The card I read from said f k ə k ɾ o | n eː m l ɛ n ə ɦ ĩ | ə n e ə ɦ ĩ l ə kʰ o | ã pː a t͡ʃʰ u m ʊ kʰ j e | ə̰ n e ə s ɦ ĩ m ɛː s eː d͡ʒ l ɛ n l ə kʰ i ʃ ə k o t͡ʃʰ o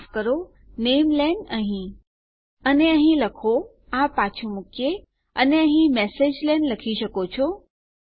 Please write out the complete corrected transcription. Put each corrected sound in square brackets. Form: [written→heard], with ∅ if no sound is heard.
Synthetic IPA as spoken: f k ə [k→∅] ɾ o | n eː m l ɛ n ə ɦ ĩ | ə n e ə ɦ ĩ l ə kʰ o | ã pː a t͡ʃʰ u m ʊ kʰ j e | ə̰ n e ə [s→∅] ɦ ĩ m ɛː s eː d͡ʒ l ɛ n l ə kʰ i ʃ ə k o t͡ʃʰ o